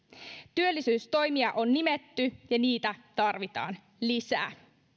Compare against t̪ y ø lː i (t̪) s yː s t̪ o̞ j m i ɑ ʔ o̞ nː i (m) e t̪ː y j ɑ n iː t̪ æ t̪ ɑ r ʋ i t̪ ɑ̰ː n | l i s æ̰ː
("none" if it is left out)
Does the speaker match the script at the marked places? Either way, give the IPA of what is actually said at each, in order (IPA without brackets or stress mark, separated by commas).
none, m